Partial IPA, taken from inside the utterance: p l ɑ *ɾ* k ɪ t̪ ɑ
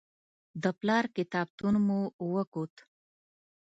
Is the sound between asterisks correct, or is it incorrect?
correct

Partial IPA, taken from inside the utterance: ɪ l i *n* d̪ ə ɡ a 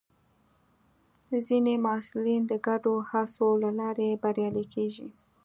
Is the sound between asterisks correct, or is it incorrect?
correct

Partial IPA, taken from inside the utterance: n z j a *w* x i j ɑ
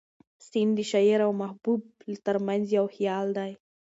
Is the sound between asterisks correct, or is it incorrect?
correct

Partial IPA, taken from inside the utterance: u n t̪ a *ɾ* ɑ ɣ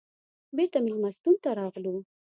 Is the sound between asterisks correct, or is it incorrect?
correct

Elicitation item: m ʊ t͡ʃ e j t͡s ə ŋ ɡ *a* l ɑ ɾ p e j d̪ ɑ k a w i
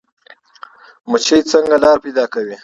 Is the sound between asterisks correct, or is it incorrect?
correct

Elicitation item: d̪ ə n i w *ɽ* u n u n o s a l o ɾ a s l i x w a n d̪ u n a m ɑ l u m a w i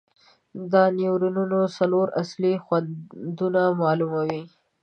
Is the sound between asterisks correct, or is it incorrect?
incorrect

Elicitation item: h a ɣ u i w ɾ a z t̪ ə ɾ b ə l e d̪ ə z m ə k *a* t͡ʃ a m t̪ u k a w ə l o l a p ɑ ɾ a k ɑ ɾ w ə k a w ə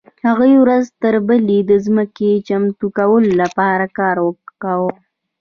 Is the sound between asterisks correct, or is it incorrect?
incorrect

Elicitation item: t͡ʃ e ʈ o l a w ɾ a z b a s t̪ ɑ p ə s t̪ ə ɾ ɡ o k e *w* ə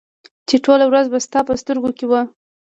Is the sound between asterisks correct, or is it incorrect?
correct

